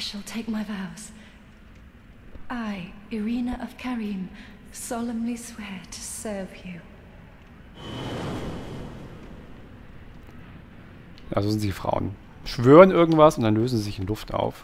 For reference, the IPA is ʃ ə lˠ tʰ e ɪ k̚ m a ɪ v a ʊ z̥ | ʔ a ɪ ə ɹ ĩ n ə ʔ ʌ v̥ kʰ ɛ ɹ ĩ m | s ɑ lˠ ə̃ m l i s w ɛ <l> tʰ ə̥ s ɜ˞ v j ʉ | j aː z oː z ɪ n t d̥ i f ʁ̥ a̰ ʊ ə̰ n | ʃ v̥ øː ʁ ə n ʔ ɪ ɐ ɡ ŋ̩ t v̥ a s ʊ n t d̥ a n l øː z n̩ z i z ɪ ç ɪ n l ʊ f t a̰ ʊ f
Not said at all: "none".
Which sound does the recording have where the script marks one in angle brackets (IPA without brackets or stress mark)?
ɹ